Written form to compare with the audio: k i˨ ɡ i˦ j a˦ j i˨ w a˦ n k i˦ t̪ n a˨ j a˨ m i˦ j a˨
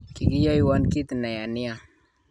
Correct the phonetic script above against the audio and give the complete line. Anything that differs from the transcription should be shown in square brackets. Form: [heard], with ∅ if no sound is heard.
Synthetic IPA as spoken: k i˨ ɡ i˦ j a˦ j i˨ w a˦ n k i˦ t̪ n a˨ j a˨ [n] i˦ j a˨